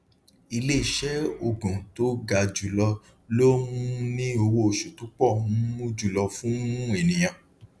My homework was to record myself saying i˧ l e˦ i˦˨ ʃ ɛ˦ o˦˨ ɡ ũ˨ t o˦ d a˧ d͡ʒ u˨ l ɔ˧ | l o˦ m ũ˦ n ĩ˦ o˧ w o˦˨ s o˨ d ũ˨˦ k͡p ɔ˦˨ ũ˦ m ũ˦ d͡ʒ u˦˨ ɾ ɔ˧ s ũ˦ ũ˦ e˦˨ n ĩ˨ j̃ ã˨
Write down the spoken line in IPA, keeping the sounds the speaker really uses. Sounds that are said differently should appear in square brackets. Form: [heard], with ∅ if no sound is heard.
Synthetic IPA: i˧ l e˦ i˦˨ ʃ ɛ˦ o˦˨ ɡ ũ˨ t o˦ [ɡ] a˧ d͡ʒ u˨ l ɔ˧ | l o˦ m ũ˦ n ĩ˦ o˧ w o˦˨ [ʃ] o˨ [t] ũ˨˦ k͡p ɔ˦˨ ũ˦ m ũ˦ d͡ʒ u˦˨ [l] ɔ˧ [f] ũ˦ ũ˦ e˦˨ n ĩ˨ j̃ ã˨

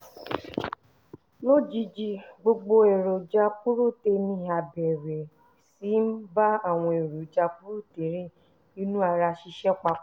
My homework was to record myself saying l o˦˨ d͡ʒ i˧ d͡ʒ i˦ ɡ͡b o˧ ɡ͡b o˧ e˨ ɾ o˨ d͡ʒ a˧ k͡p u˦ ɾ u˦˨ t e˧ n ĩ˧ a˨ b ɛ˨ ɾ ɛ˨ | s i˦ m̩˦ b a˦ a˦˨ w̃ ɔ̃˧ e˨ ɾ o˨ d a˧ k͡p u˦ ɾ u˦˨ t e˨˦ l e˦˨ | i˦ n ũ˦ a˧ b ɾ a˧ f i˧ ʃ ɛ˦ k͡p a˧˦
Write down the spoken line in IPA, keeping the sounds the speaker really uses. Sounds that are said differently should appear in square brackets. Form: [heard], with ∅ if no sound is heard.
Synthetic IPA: l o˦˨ d͡ʒ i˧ d͡ʒ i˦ ɡ͡b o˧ ɡ͡b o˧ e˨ ɾ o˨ d͡ʒ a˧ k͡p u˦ ɾ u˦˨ t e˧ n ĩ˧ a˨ b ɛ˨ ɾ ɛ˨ | s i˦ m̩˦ b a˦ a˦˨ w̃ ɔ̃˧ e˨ ɾ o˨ [d͡ʒ] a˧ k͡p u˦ ɾ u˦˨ t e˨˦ [ɾ] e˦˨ | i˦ n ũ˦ a˧ [∅] ɾ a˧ [ʃ] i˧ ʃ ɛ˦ k͡p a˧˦

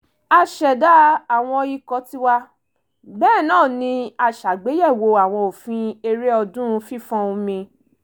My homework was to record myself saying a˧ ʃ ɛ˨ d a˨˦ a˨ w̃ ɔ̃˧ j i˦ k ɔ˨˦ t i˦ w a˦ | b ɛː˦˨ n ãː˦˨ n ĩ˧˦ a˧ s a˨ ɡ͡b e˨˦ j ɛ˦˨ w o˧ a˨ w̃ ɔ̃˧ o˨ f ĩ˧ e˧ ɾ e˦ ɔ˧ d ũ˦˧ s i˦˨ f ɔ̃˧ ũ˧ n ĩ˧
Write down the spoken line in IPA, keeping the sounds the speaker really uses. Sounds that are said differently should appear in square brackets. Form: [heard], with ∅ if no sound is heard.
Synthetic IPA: a˧ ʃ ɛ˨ d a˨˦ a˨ w̃ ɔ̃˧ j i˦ k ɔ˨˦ t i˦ w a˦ | b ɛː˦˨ n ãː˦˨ n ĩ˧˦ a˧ [ʃ] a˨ ɡ͡b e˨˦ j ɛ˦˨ w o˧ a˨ w̃ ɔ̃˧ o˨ f ĩ˧ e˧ ɾ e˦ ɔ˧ d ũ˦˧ [f] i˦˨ f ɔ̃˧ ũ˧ [m] ĩ˧

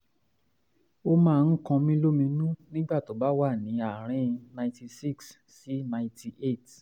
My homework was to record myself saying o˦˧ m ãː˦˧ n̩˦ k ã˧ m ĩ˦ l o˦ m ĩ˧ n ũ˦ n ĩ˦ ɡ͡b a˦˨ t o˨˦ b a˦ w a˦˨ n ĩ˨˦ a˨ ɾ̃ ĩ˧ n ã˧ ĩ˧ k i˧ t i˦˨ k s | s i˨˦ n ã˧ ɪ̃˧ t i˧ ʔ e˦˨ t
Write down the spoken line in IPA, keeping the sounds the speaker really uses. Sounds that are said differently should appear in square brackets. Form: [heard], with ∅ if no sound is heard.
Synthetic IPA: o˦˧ m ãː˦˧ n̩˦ k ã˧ m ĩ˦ l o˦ m ĩ˧ n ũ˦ n ĩ˦ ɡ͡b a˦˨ t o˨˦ b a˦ w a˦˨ n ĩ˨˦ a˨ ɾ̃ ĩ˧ n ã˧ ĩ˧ [t] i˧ [s] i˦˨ k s | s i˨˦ n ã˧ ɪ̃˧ t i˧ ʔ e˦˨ t

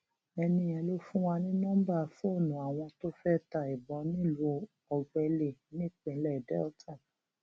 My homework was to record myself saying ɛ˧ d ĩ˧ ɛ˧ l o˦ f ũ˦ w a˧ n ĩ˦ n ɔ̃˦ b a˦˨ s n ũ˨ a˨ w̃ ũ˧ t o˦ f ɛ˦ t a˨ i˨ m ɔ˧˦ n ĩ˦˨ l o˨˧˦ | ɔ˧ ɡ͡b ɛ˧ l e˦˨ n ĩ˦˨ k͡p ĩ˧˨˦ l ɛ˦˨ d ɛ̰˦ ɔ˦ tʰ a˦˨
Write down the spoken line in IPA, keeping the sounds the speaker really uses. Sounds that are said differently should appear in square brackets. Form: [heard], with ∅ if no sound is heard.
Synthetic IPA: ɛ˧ [n] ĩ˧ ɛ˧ l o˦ f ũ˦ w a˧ n ĩ˦ n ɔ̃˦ b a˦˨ [f] n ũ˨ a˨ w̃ [ɔ̃˧] t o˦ f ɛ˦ t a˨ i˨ [b] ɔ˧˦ n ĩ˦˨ l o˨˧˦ | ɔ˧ ɡ͡b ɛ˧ l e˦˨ n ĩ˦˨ k͡p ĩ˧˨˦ l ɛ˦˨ d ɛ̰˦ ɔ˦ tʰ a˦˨

